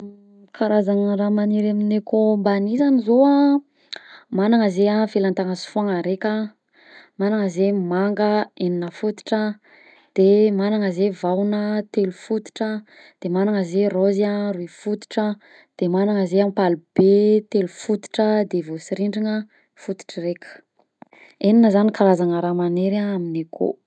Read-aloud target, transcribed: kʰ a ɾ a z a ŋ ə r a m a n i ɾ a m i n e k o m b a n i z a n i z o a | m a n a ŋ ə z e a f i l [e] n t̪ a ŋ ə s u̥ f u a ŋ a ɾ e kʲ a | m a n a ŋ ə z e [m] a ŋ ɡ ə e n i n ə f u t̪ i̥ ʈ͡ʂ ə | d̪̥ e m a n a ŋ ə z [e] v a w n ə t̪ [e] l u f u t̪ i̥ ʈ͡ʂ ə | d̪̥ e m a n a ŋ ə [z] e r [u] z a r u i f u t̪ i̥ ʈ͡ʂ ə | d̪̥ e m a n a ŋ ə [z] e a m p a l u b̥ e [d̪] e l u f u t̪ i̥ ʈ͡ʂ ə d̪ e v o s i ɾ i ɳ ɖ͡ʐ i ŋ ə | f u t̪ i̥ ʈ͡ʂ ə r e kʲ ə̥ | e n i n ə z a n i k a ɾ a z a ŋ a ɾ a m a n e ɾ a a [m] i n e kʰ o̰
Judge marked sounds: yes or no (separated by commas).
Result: no, yes, yes, yes, yes, no, yes, no, yes